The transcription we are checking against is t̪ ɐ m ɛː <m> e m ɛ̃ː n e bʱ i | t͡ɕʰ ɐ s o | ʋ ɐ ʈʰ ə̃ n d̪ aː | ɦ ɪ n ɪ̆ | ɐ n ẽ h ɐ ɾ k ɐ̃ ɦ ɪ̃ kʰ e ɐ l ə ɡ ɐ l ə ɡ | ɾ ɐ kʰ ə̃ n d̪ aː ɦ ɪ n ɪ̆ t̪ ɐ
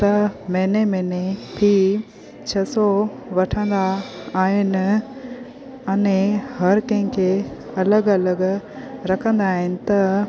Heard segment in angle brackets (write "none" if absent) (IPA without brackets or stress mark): n